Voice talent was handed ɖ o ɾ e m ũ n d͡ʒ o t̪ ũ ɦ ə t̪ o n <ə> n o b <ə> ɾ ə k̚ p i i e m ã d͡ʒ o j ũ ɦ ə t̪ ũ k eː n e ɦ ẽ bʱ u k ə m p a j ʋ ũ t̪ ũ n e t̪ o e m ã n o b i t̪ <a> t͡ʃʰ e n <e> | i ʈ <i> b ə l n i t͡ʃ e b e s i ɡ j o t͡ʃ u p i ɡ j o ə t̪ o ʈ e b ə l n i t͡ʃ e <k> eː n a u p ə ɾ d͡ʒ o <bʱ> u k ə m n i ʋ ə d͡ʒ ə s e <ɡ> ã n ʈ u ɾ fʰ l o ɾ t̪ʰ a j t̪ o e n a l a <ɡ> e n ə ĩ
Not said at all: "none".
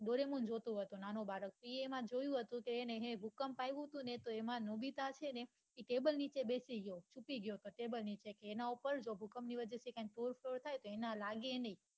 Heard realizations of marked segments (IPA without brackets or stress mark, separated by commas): a, a, a, e, e, k, bʱ, k, ɡ